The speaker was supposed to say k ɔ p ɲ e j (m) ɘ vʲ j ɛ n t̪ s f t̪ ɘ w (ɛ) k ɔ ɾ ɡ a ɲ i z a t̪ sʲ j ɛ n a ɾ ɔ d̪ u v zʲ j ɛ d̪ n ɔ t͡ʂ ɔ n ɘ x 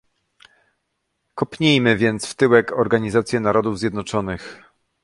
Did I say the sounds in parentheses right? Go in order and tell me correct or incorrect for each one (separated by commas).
correct, correct